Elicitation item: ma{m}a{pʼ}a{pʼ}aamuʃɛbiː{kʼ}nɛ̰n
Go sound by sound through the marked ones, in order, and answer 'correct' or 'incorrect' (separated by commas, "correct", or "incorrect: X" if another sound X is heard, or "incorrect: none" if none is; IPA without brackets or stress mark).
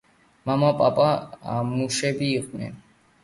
correct, correct, correct, incorrect: qʼ